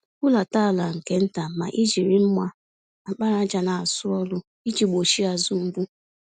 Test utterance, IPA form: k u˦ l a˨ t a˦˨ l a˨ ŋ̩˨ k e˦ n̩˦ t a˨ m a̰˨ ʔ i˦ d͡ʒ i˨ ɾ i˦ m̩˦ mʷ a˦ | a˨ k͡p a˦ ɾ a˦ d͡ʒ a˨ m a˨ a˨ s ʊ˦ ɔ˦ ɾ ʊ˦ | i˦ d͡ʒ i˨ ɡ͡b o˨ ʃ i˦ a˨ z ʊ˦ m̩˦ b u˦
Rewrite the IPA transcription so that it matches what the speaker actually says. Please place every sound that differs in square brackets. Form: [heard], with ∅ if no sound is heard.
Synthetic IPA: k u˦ l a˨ t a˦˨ l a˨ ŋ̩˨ k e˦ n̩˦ t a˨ m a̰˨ ʔ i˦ d͡ʒ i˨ ɾ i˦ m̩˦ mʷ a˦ | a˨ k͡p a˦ ɾ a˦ d͡ʒ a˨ [n] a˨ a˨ s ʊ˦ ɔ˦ [l] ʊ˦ | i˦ d͡ʒ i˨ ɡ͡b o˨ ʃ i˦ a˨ z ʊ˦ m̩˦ b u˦